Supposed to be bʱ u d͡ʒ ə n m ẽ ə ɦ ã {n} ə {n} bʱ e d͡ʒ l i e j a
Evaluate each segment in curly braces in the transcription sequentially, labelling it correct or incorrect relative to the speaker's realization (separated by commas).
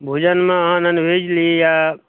correct, correct